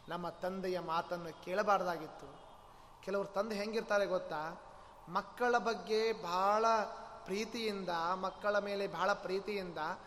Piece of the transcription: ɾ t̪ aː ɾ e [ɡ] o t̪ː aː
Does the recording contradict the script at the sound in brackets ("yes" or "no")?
no